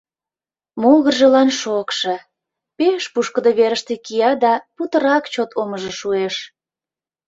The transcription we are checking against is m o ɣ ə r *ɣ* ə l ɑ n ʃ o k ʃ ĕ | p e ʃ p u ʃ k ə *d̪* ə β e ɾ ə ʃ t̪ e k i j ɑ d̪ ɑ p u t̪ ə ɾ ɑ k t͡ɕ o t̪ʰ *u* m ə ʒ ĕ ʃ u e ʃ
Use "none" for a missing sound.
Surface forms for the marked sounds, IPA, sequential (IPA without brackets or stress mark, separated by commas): ʒ, d̪, o